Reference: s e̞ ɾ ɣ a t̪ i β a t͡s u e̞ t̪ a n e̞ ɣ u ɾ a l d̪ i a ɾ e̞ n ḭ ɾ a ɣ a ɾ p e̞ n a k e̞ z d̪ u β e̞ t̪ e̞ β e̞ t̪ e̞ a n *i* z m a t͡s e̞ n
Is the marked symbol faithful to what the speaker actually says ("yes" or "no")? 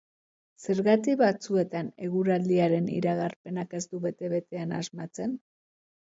no